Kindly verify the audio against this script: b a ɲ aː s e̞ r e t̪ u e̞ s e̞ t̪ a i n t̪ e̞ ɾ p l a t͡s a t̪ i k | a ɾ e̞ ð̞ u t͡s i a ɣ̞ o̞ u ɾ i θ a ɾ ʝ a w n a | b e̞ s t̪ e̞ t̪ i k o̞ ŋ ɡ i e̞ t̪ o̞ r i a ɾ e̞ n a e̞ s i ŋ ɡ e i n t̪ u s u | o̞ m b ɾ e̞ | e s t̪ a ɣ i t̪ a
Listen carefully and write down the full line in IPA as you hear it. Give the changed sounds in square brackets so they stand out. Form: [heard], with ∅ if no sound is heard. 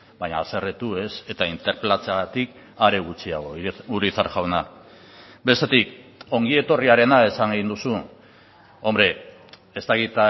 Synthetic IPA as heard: b a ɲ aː s e̞ r e t̪ u e̞ s e̞ t̪ a i n t̪ e̞ ɾ p l a t͡s a t̪ i k | a ɾ e̞ [ɣ̞] u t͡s i a ɣ̞ o̞ u ɾ i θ a ɾ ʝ a w n a | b e̞ s t̪ e̞ t̪ i k o̞ ŋ ɡ i e̞ t̪ o̞ r i a ɾ e̞ n a e̞ s [a] ŋ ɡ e i n [d̪] u s u | o̞ m b ɾ e̞ | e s t̪ a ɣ i t̪ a